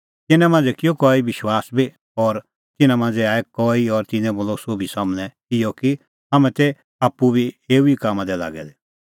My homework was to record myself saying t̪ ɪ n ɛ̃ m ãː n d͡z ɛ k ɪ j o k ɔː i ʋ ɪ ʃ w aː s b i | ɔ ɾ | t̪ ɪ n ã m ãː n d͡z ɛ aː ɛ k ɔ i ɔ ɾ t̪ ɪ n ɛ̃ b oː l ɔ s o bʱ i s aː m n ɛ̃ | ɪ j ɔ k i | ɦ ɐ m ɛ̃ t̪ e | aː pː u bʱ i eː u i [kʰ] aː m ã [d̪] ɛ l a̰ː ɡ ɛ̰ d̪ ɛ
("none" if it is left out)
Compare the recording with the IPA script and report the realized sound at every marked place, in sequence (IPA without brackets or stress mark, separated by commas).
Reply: k, d̪